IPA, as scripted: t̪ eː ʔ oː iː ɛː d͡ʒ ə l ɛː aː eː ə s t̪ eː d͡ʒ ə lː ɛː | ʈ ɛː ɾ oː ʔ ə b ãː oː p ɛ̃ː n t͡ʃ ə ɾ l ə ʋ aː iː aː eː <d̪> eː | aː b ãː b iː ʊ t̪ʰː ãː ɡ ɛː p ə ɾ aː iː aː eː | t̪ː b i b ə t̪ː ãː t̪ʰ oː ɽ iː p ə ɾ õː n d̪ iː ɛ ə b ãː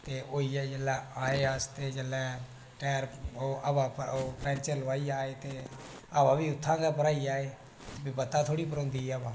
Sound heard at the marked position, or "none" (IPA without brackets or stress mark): t̪